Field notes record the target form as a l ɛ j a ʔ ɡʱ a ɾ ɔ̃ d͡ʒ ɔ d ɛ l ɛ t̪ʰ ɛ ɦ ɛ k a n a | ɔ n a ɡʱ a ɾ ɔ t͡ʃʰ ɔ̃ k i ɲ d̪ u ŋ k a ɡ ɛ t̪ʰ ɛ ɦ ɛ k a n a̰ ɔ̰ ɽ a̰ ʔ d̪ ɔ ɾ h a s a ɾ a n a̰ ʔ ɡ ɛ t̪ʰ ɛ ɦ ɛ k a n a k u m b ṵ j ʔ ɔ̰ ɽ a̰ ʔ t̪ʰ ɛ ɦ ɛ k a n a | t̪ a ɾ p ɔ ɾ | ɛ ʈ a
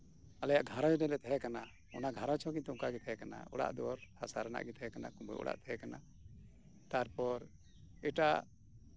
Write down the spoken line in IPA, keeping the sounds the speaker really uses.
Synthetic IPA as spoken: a l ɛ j a ʔ ɡʱ a ɾ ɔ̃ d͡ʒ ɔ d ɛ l ɛ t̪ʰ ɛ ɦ ɛ k a n a | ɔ n a ɡʱ a ɾ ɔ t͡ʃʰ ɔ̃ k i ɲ t̪ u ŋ k a ɡ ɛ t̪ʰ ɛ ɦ ɛ k a n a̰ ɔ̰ ɽ a̰ ʔ d̪ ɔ ɾ h a s a ɾ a n a̰ ʔ ɡ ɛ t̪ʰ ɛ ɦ ɛ k a n a k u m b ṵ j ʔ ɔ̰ ɽ a̰ ʔ t̪ʰ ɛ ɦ ɛ k a n a | t̪ a ɾ p ɔ ɾ | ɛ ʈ a